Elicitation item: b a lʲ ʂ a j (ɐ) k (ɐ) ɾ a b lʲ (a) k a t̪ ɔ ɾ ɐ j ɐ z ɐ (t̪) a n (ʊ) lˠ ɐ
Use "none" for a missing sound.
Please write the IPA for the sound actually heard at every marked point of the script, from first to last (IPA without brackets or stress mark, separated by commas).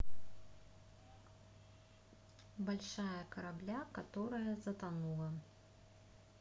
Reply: ɐ, ɐ, a, t̪, u